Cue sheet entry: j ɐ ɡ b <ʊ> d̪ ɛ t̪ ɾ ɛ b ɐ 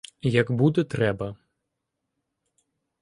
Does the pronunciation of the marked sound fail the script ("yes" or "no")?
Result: yes